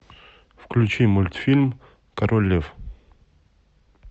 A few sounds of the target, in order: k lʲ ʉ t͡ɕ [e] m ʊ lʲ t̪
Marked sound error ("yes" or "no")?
yes